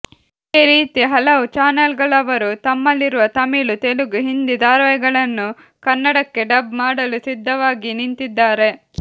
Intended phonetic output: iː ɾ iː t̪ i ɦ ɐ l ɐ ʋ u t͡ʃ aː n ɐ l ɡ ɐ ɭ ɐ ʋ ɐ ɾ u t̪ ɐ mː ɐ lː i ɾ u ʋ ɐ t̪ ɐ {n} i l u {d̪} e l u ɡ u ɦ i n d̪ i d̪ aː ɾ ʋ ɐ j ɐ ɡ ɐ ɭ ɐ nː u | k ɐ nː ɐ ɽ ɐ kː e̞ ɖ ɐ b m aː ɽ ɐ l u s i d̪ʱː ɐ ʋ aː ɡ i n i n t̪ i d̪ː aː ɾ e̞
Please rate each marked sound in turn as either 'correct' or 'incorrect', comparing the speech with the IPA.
incorrect, incorrect

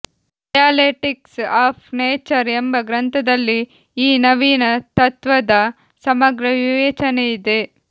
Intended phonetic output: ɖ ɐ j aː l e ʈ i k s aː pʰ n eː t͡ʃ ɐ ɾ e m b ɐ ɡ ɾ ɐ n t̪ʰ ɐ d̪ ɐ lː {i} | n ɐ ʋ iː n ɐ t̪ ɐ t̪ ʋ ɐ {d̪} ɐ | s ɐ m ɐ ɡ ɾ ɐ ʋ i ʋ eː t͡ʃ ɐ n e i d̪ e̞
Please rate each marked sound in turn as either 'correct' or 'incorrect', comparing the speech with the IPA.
incorrect, correct

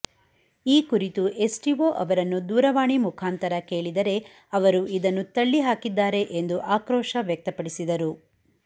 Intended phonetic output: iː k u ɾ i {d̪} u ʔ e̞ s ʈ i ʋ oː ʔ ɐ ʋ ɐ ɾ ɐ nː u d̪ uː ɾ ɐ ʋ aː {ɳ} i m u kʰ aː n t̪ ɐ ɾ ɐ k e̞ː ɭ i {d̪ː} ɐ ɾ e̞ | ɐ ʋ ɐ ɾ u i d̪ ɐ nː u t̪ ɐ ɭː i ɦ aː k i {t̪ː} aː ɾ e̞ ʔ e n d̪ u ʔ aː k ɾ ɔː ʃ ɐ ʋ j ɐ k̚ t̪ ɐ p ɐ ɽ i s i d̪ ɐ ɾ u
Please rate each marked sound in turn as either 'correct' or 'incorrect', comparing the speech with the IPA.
incorrect, correct, incorrect, incorrect

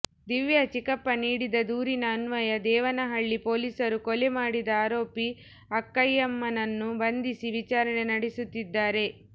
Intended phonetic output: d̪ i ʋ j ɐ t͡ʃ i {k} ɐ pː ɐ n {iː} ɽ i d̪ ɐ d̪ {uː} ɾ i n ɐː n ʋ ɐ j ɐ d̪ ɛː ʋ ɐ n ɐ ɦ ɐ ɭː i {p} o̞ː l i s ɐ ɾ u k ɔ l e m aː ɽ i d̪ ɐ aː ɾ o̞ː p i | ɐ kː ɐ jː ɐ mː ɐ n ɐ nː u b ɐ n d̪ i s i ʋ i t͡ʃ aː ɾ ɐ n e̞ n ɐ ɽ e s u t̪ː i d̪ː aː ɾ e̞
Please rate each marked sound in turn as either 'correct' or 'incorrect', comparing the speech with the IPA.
correct, correct, correct, correct

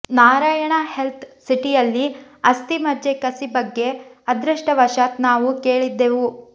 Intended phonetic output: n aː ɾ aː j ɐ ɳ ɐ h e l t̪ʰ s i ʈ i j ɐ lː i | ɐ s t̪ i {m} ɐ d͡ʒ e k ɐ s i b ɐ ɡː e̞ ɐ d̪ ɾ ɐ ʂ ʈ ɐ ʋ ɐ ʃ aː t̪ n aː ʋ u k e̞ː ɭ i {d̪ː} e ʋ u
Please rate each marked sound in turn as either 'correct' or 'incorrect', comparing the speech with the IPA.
correct, correct

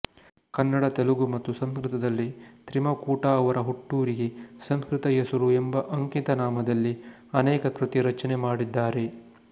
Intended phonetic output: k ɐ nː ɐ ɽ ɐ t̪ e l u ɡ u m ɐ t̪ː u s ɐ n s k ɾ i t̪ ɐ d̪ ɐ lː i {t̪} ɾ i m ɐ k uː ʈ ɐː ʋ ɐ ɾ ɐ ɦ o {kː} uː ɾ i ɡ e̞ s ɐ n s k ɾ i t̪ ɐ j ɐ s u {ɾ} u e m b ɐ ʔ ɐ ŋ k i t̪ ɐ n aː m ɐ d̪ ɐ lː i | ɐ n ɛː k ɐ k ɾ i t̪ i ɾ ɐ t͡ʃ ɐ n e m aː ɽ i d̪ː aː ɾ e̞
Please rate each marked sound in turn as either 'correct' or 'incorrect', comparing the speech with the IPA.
correct, incorrect, correct

